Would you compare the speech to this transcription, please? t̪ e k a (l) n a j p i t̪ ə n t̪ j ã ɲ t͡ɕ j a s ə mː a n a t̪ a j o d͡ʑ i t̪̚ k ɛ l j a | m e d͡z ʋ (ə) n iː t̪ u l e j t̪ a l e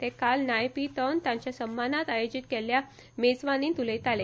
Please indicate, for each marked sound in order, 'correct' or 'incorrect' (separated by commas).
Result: correct, incorrect